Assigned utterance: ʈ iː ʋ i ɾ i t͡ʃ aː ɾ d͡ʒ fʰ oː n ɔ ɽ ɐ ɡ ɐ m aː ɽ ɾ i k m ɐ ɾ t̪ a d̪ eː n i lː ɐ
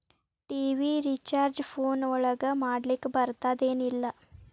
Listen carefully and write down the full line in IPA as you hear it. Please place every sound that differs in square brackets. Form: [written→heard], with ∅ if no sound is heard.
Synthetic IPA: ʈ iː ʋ i ɾ i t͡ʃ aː ɾ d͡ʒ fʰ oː n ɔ [ɽ→ɭ] ɐ ɡ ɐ m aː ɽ [ɾ→l] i k [m→b] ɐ ɾ t̪ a d̪ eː n i lː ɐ